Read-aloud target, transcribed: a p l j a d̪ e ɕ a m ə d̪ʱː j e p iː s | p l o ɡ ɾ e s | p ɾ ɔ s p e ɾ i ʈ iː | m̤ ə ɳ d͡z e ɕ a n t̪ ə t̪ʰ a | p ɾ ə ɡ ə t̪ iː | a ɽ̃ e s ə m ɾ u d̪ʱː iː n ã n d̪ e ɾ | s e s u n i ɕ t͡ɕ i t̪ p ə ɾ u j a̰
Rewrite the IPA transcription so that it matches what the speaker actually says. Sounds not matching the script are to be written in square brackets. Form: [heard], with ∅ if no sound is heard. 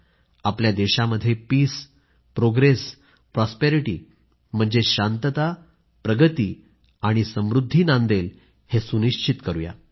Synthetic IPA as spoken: a p l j a d̪ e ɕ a m ə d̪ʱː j e p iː s | p [ɾ] o ɡ ɾ e s | p ɾ ɔ s p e ɾ i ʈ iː | m̤ ə ɳ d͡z e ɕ a n t̪ ə [t̪] a | p ɾ ə ɡ ə t̪ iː | a ɽ̃ [i] s ə m ɾ u d̪ʱː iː n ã n d̪ e [l] | [h] e s u n i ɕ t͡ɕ i t̪ [k] ə ɾ u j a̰

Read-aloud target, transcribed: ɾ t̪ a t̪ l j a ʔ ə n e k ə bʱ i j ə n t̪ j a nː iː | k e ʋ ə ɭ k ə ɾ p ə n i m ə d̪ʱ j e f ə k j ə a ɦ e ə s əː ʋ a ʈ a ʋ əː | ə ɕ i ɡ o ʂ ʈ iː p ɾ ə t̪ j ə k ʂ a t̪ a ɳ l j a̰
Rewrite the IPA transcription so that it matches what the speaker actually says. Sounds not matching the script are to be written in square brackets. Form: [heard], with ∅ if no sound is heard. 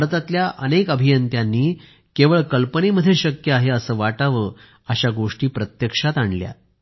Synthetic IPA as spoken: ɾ t̪ a t̪ l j a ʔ ə n e k ə bʱ i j ə n t̪ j a nː iː | k e ʋ ə ɭ k ə [l] p ə n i m ə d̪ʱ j e [ɕ] ə k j ə a ɦ e ə s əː ʋ a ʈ a ʋ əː | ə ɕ [a] ɡ o ʂ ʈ iː p ɾ ə t̪ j ə k ʂ a t̪ a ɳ l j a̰

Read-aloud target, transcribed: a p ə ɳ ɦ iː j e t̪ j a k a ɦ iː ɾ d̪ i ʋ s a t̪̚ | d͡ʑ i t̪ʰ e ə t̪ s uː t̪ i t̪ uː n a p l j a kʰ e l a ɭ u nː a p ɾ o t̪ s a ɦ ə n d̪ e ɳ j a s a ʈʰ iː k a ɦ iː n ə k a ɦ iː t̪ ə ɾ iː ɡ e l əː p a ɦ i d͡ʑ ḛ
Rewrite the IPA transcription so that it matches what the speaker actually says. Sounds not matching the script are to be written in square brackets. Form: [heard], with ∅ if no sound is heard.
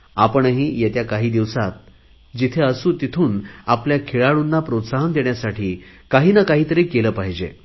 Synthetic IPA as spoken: a p ə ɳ ɦ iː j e t̪ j a k a ɦ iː [∅] d̪ i ʋ s a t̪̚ | d͡ʑ i t̪ʰ e ə [∅] s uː t̪ i [t̪ʰ] uː n a p l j a kʰ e [ɭ] a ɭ u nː a p ɾ o t̪ s a ɦ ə n d̪ e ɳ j a s a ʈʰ iː k a ɦ iː n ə k a ɦ iː t̪ ə ɾ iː [k] e l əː p a ɦ i d͡ʑ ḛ

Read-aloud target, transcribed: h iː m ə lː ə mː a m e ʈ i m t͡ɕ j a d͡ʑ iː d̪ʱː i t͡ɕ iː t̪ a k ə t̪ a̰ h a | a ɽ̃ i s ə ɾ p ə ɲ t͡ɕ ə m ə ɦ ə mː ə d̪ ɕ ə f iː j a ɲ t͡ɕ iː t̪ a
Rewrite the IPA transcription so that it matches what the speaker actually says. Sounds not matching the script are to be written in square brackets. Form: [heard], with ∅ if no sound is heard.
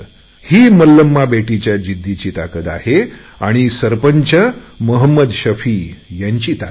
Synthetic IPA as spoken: h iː m ə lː ə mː a [b] e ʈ i [∅] t͡ɕ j a d͡ʑ [i] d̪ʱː i t͡ɕ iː t̪ a k ə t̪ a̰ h [e] | a ɽ̃ i s ə ɾ p ə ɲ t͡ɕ ə m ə ɦ ə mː ə d̪ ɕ ə f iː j a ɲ t͡ɕ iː t̪ a

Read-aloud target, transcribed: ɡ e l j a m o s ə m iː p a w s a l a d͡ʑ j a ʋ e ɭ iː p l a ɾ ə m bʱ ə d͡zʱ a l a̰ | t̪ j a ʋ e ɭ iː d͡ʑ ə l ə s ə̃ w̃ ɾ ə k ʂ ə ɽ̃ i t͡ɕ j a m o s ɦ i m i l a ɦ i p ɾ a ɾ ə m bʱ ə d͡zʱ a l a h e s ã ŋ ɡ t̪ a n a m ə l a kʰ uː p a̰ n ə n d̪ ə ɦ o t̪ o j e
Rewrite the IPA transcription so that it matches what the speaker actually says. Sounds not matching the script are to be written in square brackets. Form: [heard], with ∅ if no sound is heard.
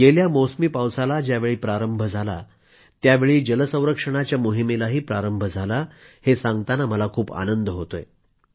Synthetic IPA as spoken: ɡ e l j a m o s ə m iː p a w s a l a d͡ʑ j a ʋ e ɭ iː p [ɾ] a ɾ ə m bʱ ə d͡zʱ a l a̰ | t̪ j a ʋ e ɭ iː d͡ʑ ə l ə s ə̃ w̃ ɾ ə k ʂ ə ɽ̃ [a] t͡ɕ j a m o [∅] ɦ i m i l a ɦ [iː] p ɾ a ɾ ə m bʱ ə d͡zʱ a l a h e s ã ŋ ɡ t̪ a n a m ə l a kʰ uː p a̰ n ə n d̪ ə ɦ o t̪ o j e

